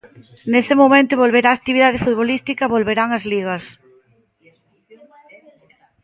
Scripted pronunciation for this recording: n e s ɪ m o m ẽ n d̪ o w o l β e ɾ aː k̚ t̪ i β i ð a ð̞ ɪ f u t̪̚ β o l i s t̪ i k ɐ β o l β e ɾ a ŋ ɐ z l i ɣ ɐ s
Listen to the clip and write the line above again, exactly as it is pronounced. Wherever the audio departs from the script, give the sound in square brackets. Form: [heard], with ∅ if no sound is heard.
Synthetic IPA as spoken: n e s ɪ m o m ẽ n [t̪] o [β] o l β e ɾ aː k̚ t̪ i β i ð a ð̞ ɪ f u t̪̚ β o l i s t̪ i k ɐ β o l β e ɾ a ŋ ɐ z l i ɣ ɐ s